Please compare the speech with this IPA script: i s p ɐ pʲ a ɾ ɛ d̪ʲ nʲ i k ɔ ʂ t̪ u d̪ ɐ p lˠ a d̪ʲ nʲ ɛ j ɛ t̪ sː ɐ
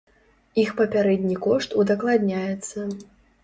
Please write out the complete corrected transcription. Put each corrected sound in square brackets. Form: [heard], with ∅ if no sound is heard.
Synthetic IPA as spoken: i [x] p ɐ pʲ a ɾ ɛ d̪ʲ nʲ i k ɔ ʂ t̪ u d̪ ɐ [k] lˠ a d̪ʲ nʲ [a] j ɛ t̪ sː ɐ